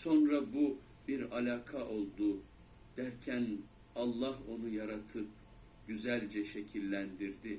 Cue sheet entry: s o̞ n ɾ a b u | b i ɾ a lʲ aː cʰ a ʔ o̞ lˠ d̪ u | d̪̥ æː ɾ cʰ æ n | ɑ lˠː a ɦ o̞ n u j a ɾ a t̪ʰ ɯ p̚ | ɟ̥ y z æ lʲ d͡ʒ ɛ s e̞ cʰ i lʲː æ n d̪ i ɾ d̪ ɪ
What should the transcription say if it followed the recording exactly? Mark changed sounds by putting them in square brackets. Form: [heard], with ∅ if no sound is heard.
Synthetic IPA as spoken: s o̞ n ɾ a b u | b i ɾ a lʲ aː [kʰ] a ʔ o̞ lˠ d̪ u | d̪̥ [æ] ɾ cʰ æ n | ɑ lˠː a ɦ o̞ n u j a ɾ a t̪ʰ ɯ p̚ | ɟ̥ y z æ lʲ d͡ʒ ɛ [ʃ] e̞ cʰ i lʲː æ n d̪ i ɾ d̪ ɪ